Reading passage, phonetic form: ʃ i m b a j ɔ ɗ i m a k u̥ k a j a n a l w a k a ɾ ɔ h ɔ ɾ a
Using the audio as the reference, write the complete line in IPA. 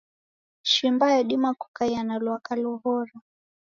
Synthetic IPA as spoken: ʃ i m b a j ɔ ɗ i m a k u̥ k a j a n a l w a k a l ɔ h ɔ ɾ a